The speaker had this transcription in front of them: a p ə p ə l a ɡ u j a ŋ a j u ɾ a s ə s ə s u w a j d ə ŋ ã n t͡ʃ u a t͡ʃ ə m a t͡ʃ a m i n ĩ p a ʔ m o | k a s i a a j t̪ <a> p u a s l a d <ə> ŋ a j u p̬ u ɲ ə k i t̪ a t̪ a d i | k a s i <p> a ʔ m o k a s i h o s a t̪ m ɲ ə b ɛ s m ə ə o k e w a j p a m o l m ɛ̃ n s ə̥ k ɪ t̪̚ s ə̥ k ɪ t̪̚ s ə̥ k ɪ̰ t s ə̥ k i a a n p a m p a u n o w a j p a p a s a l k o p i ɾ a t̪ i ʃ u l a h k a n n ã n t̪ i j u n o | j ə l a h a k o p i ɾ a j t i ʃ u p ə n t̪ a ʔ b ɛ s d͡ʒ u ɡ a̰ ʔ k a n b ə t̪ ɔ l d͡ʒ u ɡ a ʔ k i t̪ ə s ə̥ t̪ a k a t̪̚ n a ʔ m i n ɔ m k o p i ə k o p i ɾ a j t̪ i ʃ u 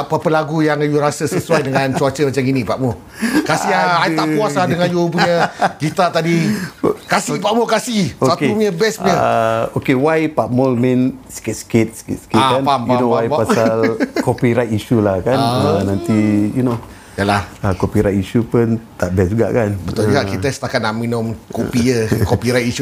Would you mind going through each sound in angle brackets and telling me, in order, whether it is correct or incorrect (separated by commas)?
correct, correct, correct